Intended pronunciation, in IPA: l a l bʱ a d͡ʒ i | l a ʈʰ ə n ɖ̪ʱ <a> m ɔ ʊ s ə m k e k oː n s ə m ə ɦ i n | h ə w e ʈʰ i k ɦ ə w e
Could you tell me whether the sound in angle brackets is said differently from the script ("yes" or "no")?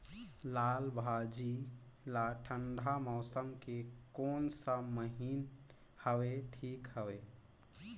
no